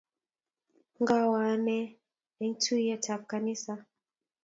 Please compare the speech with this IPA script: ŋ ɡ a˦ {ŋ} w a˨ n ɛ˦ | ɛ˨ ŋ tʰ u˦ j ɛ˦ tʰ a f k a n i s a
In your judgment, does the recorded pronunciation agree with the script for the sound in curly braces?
no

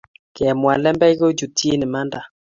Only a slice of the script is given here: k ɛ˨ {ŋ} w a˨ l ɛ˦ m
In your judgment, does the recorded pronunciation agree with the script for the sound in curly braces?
no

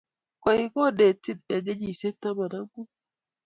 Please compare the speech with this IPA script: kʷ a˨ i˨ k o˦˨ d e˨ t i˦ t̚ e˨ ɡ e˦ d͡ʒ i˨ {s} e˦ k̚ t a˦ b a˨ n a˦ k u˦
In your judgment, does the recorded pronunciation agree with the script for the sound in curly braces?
yes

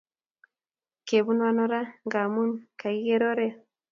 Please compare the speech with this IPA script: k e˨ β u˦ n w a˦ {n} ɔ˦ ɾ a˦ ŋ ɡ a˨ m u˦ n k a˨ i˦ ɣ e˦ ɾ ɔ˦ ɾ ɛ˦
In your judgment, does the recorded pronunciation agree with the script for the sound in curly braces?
yes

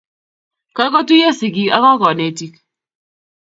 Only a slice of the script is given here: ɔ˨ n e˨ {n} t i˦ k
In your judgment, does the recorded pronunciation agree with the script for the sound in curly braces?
no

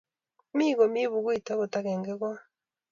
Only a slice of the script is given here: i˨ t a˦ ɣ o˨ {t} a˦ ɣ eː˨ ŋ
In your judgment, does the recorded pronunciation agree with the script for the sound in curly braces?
yes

